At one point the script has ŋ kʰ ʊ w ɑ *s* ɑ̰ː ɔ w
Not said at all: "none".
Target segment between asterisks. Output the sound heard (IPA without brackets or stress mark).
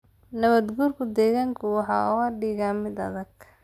ħ